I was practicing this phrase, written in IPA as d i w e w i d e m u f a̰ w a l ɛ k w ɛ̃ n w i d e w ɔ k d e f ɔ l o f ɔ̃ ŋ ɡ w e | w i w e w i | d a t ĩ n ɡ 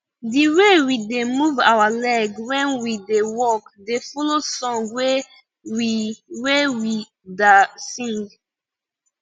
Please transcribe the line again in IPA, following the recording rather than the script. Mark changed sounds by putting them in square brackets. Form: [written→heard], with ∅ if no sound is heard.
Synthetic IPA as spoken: d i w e w i d e m u [f→v] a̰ w a l ɛ [k→ɡ] w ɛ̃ n w i d e w ɔ k d e f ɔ l o [f→s] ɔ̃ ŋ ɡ w e | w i w e w i | d a [t→s] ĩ [n→ŋ] ɡ